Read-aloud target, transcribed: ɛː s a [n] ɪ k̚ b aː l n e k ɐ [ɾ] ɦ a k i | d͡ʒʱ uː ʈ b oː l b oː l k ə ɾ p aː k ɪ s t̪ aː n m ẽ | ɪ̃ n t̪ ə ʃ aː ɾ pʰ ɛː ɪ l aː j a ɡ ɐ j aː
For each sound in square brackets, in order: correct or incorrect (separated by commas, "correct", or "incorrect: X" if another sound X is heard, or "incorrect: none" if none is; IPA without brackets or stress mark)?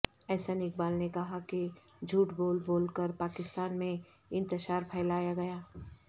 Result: correct, incorrect: none